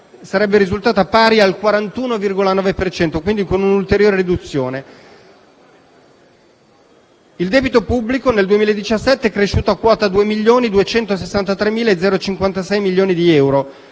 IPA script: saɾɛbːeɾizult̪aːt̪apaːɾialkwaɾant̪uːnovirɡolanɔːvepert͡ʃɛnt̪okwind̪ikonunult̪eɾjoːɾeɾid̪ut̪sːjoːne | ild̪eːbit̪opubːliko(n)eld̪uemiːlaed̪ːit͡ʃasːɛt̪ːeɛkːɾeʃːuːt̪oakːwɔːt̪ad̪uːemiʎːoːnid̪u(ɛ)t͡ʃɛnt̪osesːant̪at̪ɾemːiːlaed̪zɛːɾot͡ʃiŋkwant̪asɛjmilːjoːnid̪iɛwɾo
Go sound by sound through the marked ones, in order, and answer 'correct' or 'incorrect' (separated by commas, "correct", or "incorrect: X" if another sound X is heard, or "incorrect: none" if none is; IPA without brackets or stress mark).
correct, incorrect: e